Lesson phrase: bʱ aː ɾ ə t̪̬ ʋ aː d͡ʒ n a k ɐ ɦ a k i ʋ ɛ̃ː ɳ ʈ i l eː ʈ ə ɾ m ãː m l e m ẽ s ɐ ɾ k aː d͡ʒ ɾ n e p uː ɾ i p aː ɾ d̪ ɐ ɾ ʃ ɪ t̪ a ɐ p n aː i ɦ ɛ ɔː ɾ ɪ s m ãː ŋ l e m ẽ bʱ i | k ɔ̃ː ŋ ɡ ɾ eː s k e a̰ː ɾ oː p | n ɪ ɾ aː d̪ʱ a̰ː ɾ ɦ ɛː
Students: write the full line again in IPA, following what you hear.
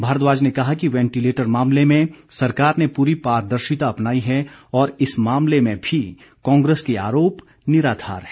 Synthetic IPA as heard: bʱ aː ɾ ə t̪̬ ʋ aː d͡ʒ n e k ɐ ɦ a k i ʋ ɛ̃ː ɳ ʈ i l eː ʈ ə ɾ m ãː m l e m ẽ s ɐ ɾ k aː ɾ n e p uː ɾ i p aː ɾ d̪ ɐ ɾ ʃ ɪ t̪ a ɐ p n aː i ɦ ɛ ɔː ɾ ɪ s m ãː m l e m ẽ bʱ i | k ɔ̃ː ŋ ɡ ɾ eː s k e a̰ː ɾ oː p | n ɪ ɾ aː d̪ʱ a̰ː ɾ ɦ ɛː